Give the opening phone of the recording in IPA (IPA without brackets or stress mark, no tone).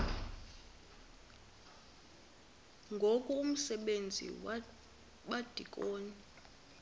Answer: ŋ